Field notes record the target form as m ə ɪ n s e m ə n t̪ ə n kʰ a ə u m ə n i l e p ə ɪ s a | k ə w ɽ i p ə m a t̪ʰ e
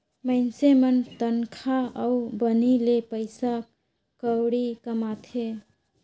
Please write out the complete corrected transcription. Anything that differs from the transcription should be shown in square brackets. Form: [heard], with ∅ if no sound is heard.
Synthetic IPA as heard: m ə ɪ n s e m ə n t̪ ə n kʰ a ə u [b] ə n i l e p ə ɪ s a | k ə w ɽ i [k] ə m a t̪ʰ e